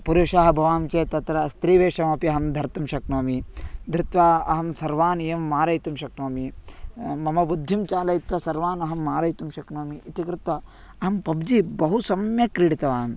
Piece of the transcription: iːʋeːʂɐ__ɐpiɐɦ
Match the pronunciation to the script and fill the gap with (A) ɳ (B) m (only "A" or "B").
B